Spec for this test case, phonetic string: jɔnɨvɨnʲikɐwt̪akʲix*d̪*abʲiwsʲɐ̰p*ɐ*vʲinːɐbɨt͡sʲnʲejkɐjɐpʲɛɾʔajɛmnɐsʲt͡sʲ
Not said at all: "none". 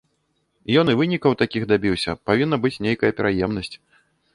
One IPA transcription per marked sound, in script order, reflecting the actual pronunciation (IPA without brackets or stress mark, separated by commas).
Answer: d̪, a